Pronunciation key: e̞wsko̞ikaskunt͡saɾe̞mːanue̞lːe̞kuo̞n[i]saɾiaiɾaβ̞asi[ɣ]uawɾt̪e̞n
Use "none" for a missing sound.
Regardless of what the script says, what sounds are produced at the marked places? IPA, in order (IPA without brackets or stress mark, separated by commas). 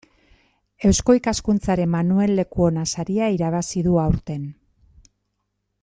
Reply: a, ð